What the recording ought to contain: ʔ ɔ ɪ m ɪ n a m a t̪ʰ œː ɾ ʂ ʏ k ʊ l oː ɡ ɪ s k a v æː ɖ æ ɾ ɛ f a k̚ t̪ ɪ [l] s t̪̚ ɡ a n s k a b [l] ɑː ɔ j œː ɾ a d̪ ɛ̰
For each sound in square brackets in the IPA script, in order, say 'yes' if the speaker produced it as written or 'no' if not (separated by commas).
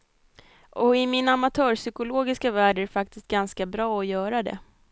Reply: no, no